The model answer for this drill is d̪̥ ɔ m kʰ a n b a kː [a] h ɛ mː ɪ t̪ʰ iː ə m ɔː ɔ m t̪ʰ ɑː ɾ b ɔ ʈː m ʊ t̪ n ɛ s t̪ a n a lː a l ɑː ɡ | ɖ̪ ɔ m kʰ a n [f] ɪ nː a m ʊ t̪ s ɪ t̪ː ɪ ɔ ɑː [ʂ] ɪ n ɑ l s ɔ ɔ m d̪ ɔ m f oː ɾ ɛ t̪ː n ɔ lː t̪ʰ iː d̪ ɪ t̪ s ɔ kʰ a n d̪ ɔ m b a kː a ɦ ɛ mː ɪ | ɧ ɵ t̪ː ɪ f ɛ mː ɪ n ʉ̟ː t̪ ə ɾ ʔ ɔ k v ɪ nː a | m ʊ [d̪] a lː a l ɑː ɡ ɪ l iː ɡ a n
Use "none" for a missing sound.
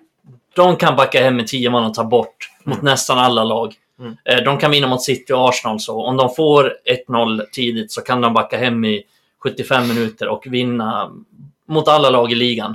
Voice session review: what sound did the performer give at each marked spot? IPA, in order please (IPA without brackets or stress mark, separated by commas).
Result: a, v, ʂ, t̪